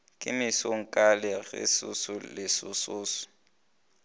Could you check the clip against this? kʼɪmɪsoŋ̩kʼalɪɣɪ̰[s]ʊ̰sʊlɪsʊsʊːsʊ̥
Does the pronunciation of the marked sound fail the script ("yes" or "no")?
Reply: no